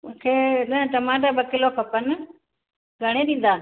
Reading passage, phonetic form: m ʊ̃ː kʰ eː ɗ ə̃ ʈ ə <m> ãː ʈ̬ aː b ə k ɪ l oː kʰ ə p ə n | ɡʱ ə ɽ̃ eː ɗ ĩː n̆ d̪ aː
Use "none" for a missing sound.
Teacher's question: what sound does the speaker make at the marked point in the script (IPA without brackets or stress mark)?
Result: m